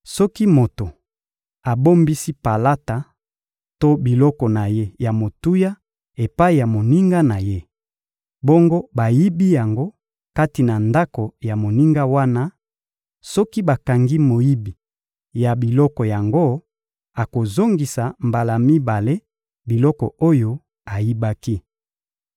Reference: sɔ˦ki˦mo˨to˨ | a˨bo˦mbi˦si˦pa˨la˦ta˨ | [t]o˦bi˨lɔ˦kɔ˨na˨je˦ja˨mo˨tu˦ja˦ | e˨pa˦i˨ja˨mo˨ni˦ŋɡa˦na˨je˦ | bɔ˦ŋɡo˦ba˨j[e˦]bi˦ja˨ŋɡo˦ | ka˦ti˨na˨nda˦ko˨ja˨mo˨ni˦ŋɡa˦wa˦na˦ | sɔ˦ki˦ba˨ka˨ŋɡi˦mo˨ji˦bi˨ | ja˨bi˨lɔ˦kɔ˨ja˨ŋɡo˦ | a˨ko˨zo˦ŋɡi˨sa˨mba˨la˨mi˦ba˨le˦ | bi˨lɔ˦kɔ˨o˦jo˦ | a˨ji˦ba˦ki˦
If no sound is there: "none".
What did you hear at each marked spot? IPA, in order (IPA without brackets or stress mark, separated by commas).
t, i˦